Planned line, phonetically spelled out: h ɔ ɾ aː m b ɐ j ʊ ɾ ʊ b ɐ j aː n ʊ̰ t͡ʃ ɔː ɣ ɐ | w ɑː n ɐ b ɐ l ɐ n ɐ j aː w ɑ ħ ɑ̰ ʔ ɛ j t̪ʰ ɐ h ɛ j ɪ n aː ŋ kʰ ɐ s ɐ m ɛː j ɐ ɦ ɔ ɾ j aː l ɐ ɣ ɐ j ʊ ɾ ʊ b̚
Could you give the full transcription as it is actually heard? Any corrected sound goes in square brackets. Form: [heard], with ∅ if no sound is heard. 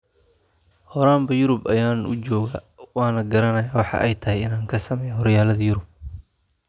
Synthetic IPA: h ɔ ɾ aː m b ɐ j ʊ ɾ ʊ b ɐ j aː n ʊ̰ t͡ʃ ɔː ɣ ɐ | w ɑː n ɐ [ɡ] ɐ [ɾ] ɐ n ɐ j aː w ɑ ħ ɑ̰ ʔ ɛ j t̪ʰ ɐ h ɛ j ɪ n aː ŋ kʰ ɐ s ɐ m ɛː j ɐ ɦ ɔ ɾ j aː l ɐ [ð] ɐ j ʊ ɾ ʊ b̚